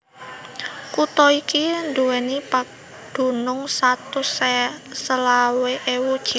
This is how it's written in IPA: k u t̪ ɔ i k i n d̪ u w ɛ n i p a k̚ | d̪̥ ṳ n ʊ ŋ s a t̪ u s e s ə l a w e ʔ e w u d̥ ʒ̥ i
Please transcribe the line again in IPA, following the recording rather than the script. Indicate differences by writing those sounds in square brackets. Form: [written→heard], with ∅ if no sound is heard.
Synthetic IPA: k u t̪ ɔ i k i n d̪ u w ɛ n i p a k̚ | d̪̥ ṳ n ʊ ŋ s a t̪ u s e s ə l a w e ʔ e w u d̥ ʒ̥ i